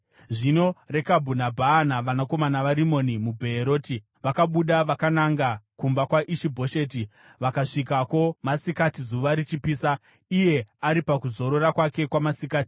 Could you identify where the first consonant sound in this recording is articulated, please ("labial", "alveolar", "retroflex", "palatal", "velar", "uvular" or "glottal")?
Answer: retroflex